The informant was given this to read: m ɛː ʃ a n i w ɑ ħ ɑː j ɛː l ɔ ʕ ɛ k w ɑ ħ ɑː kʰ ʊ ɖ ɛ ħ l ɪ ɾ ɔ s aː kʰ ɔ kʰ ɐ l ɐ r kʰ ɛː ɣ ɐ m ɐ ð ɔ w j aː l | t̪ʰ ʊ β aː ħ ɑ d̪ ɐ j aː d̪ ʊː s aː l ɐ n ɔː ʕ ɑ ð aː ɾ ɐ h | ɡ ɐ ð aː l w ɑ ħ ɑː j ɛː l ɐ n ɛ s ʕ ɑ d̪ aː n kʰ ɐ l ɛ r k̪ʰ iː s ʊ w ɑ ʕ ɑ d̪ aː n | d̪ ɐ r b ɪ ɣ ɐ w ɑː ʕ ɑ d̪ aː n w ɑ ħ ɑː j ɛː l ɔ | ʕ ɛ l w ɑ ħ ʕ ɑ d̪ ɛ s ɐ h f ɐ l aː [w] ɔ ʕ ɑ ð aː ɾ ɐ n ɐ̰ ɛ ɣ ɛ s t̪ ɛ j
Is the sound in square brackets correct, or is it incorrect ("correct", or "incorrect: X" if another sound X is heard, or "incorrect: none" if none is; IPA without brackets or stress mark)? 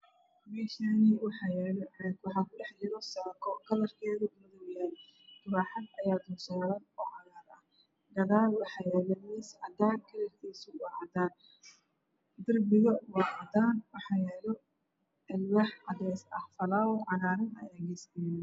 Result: correct